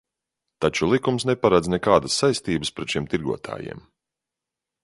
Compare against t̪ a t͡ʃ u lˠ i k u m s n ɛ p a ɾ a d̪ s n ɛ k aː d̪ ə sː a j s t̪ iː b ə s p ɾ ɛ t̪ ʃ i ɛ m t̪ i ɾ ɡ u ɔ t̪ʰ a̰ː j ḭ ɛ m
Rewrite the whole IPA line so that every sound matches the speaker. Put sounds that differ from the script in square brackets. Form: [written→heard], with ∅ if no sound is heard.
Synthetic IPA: t̪ a t͡ʃ u lˠ i k u m s n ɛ p a ɾ a d̪ [s→z] n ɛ k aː d̪ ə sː a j s t̪ iː b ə s p ɾ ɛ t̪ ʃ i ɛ m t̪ i ɾ ɡ u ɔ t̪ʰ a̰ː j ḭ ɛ m